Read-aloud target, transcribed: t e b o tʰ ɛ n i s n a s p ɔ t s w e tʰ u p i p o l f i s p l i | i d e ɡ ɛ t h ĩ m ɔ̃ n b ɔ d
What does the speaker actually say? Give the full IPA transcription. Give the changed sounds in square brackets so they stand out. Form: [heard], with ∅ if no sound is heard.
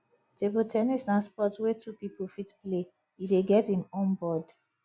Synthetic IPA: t e b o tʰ ɛ n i s n a s p ɔ t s w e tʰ u p i p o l f i [t] p l [e] | i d e ɡ ɛ t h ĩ m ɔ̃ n b ɔ d